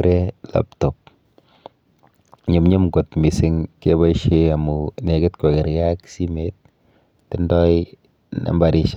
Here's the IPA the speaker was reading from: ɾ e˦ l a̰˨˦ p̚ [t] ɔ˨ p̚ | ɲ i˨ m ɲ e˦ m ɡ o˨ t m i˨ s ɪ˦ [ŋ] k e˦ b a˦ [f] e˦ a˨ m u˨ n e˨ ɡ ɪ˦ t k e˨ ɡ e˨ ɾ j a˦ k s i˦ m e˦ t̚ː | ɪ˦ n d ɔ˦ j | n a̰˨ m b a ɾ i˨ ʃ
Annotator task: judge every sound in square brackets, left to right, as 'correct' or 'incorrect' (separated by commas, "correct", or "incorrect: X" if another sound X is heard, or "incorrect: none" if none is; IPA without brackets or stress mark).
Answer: correct, correct, incorrect: ʃ